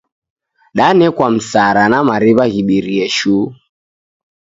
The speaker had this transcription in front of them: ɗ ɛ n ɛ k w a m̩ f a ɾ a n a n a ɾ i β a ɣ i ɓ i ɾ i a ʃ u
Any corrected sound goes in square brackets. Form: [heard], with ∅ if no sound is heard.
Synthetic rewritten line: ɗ [a] n ɛ k w a m̩ [s] a ɾ a n a [m] a ɾ i β a ɣ i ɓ i ɾ i [ɛ] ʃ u